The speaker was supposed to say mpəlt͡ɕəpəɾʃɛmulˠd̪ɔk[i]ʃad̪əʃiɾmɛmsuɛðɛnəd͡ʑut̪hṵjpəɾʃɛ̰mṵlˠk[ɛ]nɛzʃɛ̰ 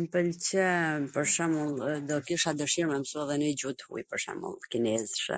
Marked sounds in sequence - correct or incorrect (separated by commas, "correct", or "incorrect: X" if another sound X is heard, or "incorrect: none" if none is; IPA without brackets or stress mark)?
correct, incorrect: i